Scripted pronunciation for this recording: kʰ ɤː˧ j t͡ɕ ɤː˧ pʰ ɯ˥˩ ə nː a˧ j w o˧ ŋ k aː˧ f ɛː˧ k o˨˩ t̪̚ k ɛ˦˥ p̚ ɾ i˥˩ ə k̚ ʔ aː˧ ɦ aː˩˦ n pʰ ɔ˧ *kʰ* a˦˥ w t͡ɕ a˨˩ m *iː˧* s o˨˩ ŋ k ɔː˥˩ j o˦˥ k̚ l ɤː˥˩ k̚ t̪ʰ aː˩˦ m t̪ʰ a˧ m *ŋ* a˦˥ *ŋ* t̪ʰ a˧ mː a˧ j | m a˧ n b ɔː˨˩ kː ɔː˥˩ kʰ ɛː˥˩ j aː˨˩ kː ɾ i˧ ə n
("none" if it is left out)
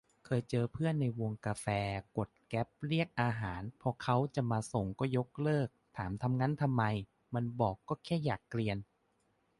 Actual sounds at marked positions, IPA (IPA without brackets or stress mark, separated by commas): kʰ, aː˧, ŋ, n